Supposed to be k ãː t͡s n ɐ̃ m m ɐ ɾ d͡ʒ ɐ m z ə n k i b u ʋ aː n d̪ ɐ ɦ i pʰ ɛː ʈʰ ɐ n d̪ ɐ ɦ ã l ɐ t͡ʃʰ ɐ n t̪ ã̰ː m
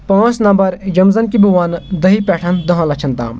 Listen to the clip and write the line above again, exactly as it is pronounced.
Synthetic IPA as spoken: p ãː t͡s n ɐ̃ m b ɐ ɾ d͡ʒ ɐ m z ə n k i b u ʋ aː n d̪ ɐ ɦ i p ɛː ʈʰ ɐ n d̪ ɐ ɦ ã l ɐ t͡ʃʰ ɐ n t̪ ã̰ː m